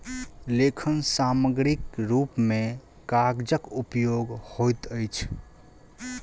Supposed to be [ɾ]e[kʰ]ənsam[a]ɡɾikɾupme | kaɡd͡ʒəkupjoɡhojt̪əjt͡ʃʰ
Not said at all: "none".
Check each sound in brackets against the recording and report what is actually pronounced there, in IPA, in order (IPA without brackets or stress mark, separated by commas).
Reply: l, kʰ, ə